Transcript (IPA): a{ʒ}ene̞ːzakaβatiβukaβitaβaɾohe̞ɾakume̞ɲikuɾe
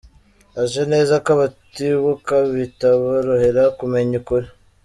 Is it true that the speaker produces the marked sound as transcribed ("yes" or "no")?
yes